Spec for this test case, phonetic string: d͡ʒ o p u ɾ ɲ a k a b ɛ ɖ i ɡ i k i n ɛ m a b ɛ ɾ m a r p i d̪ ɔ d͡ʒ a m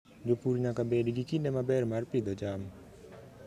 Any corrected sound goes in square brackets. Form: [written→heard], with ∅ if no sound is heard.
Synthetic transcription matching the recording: d͡ʒ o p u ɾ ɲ a k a b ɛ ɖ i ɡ i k i n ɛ m a b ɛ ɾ m a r p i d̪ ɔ d͡ʒ a m